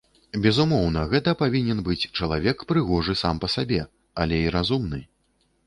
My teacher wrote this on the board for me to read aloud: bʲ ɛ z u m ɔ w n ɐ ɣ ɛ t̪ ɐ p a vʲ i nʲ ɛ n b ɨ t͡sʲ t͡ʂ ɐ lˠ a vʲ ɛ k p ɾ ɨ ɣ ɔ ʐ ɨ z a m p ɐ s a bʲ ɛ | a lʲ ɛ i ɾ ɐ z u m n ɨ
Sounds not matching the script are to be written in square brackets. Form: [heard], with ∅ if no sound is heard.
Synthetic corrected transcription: bʲ ɛ z u m ɔ w n ɐ ɣ ɛ t̪ ɐ p a vʲ i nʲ ɛ n b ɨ t͡sʲ t͡ʂ ɐ lˠ a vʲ ɛ k p ɾ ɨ ɣ ɔ ʐ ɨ [s] a m p ɐ s a bʲ ɛ | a lʲ ɛ i ɾ [a] z u m n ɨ